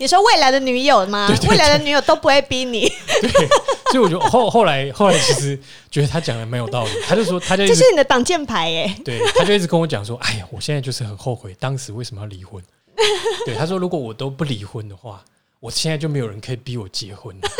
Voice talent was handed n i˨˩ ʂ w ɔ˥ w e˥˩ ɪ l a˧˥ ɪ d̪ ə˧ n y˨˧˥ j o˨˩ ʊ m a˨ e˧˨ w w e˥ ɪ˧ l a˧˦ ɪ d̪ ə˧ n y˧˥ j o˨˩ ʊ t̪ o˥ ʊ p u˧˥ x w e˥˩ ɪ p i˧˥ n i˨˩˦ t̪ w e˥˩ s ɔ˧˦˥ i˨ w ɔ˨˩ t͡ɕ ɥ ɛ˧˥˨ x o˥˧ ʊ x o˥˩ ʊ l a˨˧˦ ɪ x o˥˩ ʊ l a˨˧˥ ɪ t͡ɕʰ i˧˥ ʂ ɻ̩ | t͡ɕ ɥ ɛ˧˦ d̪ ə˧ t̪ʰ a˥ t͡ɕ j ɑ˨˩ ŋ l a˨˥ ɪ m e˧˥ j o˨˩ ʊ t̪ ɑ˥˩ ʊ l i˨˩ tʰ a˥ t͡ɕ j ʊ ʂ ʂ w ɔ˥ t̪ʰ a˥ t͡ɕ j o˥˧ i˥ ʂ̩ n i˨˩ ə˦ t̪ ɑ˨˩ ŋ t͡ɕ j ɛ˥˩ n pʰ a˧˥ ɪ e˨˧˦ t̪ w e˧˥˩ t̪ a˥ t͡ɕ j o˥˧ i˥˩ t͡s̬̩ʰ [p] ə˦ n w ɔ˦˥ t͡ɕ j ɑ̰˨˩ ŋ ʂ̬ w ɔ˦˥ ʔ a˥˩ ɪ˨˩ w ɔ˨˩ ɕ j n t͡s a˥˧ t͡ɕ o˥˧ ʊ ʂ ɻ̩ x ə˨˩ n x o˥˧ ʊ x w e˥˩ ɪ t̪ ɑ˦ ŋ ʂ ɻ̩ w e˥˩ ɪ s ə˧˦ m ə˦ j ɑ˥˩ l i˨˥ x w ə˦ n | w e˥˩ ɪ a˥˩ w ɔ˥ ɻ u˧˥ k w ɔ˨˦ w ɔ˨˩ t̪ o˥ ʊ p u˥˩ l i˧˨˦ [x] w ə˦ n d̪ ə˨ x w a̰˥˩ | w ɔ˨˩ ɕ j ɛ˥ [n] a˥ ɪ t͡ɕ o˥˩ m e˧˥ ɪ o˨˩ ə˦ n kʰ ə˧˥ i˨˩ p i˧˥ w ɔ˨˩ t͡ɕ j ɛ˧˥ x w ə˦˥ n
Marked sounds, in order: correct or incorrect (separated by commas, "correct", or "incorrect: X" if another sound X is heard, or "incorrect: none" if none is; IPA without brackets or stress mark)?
incorrect: k, correct, correct